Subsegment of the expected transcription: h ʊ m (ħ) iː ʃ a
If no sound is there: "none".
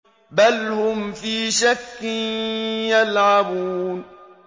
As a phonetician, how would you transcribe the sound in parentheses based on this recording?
f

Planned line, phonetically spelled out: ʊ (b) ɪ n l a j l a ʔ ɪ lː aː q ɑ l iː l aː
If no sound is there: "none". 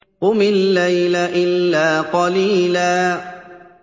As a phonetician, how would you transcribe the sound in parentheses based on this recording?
m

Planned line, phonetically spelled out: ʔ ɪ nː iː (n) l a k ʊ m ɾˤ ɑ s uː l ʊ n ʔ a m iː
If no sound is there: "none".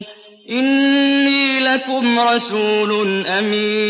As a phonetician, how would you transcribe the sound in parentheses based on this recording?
none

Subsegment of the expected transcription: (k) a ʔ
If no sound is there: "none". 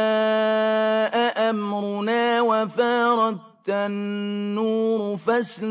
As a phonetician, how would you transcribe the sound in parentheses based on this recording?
ʔ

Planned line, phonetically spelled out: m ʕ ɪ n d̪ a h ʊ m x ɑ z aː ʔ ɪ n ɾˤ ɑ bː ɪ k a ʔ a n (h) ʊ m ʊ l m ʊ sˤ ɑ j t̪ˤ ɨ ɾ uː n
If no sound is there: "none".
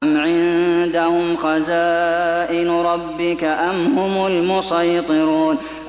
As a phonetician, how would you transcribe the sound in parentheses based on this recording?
h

